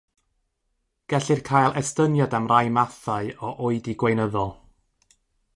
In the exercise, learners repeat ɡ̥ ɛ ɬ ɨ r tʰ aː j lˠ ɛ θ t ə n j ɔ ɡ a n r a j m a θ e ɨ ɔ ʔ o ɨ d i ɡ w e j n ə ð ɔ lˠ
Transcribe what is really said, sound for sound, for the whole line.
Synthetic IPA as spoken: ɡ̥ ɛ ɬ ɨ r kʰ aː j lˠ ɛ s t ə n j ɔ d a m r a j m a θ a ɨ ɔ ʔ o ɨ d i ɡ w e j n ə ð ɔ lˠ

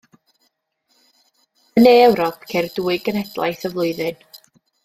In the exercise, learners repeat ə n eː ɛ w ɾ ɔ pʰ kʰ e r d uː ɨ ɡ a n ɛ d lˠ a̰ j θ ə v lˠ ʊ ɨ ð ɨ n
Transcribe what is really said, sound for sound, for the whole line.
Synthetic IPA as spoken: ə n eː ɛ w ɾ ɔ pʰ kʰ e r d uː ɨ ɡ ə n ɛ d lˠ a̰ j θ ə v lˠ ʊ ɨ ð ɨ n

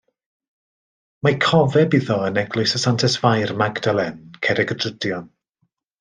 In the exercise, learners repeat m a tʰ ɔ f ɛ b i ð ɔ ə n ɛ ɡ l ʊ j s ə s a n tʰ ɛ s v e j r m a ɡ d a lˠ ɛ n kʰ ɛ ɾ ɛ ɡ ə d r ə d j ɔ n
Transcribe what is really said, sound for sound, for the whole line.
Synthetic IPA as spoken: m a kʰ ɔ v ɛ b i ð ɔ ə n ɛ ɡ l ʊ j s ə s a n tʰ ɛ s v a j r m a ɡ d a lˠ ɛ n kʰ ɛ ɾ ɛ ɡ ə d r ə d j ɔ n

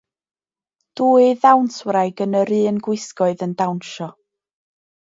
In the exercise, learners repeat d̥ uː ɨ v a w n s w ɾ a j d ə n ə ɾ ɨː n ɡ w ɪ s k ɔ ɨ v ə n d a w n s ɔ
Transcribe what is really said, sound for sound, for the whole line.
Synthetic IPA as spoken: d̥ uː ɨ ð a w n s w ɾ a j ɡ ə n ə ɾ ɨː n ɡ w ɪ s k ɔ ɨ ð ə n d a w n ʃ ɔ

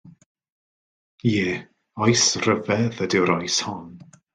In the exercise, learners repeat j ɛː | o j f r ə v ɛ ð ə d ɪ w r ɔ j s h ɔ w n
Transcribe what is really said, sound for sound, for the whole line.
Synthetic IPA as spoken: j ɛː | ɔ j s r ə v ɛ ð ə d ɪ w ɾ ɔ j s h ɔ n

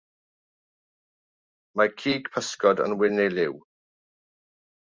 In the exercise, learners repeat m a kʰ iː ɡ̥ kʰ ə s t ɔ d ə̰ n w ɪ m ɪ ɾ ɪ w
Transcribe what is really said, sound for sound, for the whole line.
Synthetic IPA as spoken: m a kʰ iː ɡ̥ pʰ ə s k ɔ d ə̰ n w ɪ n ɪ l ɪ w

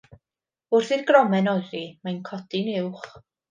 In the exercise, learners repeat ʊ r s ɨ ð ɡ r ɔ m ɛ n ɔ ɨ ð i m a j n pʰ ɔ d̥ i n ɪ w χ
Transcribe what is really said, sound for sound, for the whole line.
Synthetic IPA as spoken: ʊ r θ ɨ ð ɡ r ɔ m ɛ n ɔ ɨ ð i m a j n kʰ ɔ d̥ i n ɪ w χ

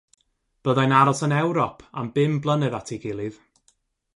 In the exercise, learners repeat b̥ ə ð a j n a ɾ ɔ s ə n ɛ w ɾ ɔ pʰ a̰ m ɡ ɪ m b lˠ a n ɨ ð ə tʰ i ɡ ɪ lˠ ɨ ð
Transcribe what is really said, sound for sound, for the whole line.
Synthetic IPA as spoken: b̥ ə ð a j n a ɾ ɔ s ə n ɛ w ɾ ɔ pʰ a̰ m b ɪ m b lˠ ə n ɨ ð a tʰ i ɡ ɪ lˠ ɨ ð

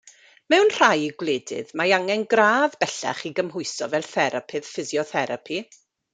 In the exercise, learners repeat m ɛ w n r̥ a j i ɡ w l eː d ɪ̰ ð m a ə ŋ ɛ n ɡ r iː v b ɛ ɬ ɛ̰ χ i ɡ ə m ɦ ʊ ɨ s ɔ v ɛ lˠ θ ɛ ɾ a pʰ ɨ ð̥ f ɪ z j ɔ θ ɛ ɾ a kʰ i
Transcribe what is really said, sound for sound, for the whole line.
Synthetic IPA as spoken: m ɛ w n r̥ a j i ɡ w l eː d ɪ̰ ð m a a ŋ ɛ n ɡ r aː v b ɛ ɬ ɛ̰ χ i ɡ ə m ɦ ʊ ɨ s ɔ v ɛ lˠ θ ɛ ɾ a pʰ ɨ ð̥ f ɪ z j ɔ θ ɛ ɾ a pʰ i

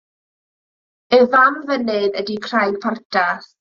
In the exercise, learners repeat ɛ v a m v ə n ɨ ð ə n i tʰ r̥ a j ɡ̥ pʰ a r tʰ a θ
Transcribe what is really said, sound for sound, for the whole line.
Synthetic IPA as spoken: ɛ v a m v ə n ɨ ð ə d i kʰ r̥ a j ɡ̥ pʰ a r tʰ a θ

